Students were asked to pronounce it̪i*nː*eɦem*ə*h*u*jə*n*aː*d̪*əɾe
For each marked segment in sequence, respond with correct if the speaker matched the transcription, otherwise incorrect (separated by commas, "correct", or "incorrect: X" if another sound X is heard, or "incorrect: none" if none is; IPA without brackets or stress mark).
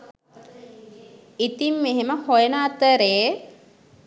incorrect: mː, correct, incorrect: o, correct, incorrect: t̪